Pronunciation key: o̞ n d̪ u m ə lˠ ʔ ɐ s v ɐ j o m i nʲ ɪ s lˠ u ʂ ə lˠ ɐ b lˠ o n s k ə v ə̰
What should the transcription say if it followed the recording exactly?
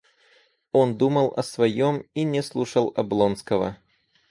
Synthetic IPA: o̞ n d̪ u m ə lˠ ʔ ɐ s v ɐ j o m i nʲ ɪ s lˠ u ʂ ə lˠ ɐ b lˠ o n s k ə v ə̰

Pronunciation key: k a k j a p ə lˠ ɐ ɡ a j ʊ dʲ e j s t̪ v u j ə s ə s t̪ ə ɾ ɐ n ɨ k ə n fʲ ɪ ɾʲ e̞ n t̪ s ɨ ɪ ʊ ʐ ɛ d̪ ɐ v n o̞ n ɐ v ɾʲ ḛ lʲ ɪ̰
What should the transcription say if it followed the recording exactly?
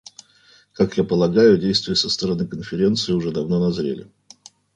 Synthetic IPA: k a k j a p ə lˠ ɐ ɡ a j ʊ dʲ e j s t̪ v ʊ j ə s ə s t̪ ə ɾ ɐ n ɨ k ə n fʲ ɪ ɾʲ e̞ n t̪ s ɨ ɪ ʊ ʐ ɛ d̪ ɐ v n o̞ n ɐ z ɾʲ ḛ lʲ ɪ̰

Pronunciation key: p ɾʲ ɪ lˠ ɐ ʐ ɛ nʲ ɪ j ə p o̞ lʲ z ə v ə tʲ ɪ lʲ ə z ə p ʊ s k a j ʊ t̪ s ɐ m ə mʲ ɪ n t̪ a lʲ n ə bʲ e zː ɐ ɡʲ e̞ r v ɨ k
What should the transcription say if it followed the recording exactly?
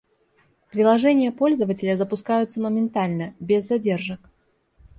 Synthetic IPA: p ɾʲ ɪ lˠ ɐ ʐ ɛ nʲ ɪ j ə p o̞ lʲ z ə v ə tʲ ɪ lʲ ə z ə p ʊ s k a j ʊ t̪ s ə m ə mʲ ɪ n t̪ a lʲ n ə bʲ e zː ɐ dʲ e̞ r ʐ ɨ k

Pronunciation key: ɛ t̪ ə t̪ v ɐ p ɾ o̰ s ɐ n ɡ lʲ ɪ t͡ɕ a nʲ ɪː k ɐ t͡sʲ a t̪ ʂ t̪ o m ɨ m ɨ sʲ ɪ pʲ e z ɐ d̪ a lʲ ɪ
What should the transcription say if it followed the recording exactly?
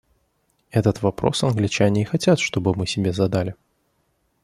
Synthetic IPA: ɛ t̪ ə t̪ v ɐ p ɾ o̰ s ɐ n ɡ lʲ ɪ t͡ɕ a nʲ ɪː x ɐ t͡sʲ a t̪ ʂ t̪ o b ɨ m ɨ sʲ ɪ bʲ e z ɐ d̪ a lʲ ɪ

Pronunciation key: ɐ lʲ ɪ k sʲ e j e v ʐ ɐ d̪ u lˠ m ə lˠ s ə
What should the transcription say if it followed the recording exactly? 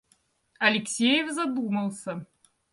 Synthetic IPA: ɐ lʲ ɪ k sʲ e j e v z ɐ d̪ u m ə lˠ s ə

